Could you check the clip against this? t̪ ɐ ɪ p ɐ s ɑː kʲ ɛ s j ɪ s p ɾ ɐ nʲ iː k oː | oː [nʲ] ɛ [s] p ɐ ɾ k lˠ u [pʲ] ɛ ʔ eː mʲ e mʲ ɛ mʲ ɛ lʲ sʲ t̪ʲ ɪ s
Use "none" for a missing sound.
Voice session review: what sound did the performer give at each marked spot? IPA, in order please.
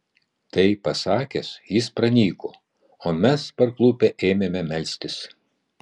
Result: mʲ, s, pʲ

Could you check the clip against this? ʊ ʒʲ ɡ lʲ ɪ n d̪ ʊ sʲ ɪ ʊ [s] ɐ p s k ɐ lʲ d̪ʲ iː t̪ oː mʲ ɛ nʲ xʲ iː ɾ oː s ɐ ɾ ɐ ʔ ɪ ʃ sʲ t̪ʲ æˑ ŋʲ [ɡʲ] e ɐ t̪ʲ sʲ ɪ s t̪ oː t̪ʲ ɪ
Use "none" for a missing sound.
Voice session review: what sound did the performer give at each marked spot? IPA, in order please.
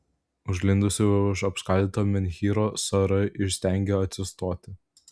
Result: ʃ, ɡʲ

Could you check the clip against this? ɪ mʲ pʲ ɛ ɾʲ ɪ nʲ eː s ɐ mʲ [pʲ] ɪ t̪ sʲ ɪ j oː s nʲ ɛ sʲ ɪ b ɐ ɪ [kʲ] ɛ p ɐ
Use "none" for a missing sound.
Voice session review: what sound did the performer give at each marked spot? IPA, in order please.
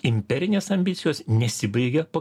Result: bʲ, ɡʲ

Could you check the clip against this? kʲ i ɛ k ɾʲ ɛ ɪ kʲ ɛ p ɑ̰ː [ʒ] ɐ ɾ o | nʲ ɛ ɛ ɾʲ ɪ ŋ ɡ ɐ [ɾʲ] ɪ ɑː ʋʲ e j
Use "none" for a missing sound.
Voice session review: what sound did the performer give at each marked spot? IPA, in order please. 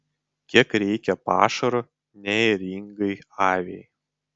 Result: ʃ, none

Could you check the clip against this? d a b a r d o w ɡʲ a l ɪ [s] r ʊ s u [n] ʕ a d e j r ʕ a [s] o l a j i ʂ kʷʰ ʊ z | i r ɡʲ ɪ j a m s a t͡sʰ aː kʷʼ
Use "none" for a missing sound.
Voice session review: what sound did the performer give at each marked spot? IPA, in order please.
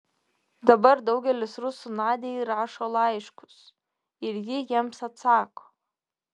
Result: s, n, ʂ

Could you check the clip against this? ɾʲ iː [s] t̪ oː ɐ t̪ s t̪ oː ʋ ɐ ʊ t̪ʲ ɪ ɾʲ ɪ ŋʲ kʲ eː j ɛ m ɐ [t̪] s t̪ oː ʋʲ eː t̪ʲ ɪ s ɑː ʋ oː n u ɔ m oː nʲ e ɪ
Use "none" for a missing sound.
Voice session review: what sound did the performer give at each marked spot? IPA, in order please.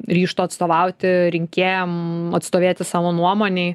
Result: ʃ, t̪

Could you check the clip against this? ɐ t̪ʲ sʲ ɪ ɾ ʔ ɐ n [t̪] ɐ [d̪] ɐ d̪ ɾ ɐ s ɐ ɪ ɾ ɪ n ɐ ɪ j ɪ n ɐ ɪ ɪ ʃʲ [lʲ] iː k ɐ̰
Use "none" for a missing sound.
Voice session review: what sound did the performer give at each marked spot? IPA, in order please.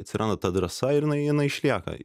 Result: d̪, t̪, lʲ

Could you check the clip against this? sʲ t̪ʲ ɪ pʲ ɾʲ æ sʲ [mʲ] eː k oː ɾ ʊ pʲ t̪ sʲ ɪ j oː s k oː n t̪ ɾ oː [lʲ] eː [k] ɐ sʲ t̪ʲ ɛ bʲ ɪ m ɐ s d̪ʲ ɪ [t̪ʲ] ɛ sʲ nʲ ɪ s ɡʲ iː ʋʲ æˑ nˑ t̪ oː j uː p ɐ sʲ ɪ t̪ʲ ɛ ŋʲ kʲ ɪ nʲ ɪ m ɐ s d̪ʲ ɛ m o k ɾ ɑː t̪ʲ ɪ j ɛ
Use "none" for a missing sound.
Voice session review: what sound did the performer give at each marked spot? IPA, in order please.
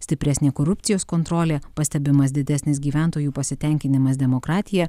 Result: nʲ, lʲ, p, d̪ʲ

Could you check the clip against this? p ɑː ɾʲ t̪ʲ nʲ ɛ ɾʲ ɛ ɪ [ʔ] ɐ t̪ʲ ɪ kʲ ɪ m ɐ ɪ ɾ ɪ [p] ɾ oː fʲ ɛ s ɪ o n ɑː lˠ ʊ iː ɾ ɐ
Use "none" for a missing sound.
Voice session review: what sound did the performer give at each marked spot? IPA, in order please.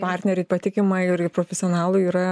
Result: p, p

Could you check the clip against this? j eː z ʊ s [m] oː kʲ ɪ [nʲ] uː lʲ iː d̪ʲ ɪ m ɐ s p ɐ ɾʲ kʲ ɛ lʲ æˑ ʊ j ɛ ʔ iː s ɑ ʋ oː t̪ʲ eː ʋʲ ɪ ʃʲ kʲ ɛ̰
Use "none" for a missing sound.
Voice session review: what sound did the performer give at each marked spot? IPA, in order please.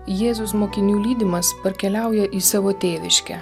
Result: m, nʲ

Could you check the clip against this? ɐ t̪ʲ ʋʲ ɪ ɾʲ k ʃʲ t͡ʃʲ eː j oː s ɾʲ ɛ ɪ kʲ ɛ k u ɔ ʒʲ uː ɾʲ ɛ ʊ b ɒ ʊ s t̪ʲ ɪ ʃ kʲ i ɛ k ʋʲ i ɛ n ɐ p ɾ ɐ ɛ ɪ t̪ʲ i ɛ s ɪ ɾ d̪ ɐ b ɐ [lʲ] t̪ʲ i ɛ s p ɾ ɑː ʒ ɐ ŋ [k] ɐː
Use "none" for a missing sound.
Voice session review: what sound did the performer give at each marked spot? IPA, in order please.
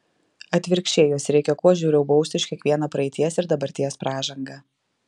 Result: ɾʲ, ɡ

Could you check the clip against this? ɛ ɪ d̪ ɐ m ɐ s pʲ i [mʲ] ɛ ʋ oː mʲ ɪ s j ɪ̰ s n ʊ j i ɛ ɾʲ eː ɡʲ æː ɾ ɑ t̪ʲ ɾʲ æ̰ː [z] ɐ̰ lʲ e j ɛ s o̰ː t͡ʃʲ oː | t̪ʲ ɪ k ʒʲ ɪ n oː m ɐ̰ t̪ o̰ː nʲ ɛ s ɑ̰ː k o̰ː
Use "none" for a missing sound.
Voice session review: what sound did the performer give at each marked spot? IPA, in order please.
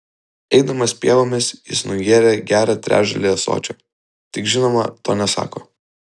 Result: none, ʒ

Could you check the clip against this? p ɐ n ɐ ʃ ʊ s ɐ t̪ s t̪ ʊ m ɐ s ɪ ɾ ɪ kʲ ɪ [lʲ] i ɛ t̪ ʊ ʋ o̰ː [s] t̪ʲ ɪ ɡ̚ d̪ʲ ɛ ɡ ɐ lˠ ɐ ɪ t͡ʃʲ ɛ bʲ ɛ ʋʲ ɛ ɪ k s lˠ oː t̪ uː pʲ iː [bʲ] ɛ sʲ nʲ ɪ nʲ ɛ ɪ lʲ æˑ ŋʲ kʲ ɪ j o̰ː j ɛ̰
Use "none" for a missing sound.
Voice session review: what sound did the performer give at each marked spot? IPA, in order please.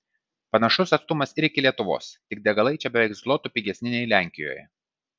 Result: lʲ, s, ɡʲ

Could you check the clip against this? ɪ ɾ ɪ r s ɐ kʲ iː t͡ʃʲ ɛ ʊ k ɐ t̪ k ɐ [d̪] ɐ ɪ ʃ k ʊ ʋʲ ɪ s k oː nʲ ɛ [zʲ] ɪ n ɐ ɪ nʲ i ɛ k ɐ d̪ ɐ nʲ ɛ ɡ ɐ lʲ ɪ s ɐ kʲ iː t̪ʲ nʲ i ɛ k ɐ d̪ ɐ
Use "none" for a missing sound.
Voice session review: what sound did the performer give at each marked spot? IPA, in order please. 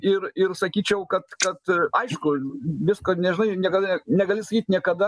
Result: t̪, ʒʲ

